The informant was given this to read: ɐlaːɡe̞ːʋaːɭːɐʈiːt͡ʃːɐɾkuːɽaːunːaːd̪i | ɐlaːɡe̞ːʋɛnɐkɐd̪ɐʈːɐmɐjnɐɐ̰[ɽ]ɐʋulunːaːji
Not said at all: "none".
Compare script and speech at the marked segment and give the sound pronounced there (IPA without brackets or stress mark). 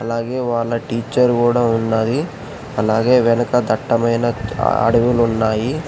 ɽ